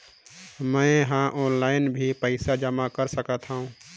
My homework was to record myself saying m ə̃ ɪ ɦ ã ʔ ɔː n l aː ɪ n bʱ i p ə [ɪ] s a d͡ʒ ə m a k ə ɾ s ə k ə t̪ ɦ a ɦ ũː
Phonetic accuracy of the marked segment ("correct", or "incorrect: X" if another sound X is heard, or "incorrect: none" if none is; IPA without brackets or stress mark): correct